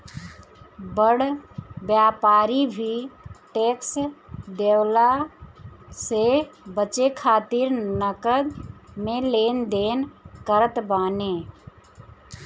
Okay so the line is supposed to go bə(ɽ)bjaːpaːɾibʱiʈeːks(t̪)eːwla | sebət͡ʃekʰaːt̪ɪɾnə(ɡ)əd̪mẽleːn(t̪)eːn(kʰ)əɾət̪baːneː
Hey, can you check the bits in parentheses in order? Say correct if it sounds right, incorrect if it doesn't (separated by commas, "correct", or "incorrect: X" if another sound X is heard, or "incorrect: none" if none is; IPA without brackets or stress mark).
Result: correct, incorrect: d̪, incorrect: k, incorrect: d̪, incorrect: k